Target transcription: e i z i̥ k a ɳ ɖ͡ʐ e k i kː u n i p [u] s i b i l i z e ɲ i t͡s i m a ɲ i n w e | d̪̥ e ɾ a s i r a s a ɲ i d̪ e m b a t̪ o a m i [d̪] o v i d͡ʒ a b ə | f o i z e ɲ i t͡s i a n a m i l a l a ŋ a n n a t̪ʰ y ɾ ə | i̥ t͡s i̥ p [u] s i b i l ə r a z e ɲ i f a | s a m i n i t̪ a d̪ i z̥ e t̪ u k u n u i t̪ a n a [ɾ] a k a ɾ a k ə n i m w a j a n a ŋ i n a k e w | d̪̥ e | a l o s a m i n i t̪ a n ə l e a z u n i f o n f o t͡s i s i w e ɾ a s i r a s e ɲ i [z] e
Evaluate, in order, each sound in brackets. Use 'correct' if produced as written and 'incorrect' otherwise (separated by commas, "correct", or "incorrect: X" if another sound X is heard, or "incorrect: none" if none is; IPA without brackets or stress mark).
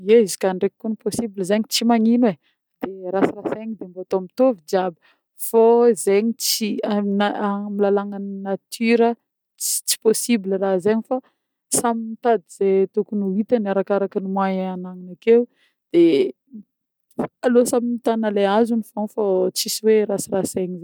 incorrect: o, incorrect: t̪, incorrect: o, correct, correct